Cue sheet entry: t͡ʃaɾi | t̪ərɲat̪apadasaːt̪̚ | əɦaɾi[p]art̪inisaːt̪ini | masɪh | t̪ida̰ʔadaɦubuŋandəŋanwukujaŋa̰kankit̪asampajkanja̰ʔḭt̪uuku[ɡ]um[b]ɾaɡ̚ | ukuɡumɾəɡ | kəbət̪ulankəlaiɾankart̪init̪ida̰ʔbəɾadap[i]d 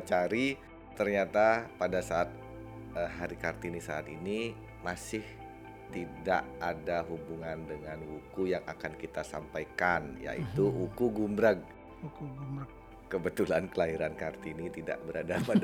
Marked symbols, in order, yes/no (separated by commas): no, yes, yes, no